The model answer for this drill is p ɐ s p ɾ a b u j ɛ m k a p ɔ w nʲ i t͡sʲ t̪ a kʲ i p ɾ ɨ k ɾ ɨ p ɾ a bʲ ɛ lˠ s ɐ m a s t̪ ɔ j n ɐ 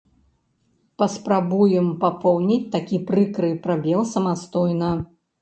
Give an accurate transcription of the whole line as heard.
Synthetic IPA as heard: p ɐ s p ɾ a b u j ɛ m p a p ɔ w nʲ i t͡sʲ t̪ a kʲ i p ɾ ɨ k ɾ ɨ p ɾ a bʲ ɛ lˠ s ɐ m a s t̪ ɔ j n ɐ